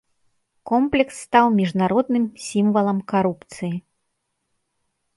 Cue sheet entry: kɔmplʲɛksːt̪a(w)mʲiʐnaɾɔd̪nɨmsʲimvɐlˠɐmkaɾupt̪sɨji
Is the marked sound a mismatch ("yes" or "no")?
no